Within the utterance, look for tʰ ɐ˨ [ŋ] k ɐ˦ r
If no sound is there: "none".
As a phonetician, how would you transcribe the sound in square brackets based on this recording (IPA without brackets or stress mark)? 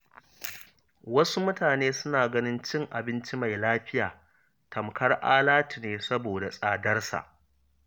m